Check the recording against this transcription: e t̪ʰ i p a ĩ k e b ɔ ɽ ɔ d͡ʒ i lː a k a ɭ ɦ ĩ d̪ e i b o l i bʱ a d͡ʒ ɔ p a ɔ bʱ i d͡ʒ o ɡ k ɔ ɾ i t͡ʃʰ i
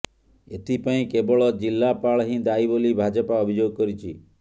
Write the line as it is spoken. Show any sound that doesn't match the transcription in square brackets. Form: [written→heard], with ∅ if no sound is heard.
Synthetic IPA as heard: e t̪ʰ i p a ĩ k e b ɔ [ɽ→ɭ] ɔ d͡ʒ i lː a [k→p] a ɭ ɦ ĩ d̪ [e→a] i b o l i bʱ a d͡ʒ ɔ p a ɔ bʱ i d͡ʒ o ɡ k ɔ ɾ i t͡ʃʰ i